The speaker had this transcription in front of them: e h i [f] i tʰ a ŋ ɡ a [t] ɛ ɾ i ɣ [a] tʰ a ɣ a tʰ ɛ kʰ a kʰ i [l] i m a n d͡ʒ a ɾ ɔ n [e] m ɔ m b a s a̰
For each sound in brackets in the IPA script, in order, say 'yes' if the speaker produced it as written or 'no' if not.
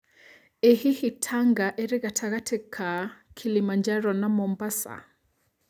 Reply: no, no, yes, yes, no

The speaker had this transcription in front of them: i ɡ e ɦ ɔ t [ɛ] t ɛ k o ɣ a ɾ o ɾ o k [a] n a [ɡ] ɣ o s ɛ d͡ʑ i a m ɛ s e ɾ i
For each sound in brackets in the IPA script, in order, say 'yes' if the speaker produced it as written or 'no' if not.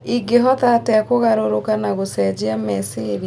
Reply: no, yes, no

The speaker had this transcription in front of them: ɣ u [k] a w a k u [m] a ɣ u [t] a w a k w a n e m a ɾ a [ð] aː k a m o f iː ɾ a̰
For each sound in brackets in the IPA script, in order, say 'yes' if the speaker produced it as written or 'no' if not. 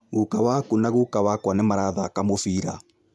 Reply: yes, no, no, yes

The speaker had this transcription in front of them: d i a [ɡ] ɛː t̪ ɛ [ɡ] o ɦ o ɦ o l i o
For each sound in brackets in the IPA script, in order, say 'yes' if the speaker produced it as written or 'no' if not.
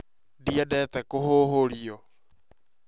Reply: no, no

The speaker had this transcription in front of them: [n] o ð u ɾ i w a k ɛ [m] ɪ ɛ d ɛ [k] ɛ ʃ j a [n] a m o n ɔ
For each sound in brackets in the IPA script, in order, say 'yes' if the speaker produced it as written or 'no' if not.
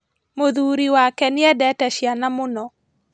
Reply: no, no, no, yes

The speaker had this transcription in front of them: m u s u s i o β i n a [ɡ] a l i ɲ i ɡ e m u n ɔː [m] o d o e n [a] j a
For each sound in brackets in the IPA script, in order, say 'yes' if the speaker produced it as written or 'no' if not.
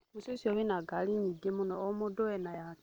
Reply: yes, yes, yes

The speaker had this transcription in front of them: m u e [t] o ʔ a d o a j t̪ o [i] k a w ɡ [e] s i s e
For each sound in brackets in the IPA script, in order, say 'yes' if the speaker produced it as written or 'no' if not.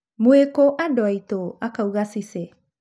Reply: no, no, no

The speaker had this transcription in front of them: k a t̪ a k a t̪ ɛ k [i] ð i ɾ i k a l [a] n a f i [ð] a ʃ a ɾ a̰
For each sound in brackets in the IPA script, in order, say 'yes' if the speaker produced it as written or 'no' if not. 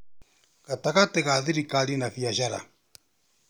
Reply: no, no, no

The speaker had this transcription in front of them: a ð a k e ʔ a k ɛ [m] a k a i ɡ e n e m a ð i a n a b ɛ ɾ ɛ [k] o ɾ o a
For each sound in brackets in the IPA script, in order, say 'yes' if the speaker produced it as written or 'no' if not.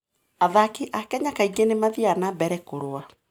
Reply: no, yes

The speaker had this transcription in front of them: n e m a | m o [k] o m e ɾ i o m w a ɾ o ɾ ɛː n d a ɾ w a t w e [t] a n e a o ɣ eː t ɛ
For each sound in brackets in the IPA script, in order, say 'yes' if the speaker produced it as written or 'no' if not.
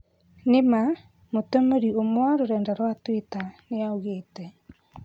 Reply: no, yes

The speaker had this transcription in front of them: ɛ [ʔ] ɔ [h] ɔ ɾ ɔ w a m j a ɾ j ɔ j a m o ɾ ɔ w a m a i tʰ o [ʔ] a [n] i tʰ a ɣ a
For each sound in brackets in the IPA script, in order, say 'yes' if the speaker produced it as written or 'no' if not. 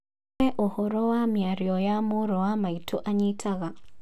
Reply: yes, yes, yes, no

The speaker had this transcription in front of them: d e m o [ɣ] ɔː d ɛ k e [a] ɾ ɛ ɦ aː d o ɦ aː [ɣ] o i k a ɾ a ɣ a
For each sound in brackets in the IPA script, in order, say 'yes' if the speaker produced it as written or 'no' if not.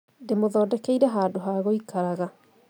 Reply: no, no, yes

